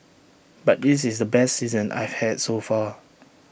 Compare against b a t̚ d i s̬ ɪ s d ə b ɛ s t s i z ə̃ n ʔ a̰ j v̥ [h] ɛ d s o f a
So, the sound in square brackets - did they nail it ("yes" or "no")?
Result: yes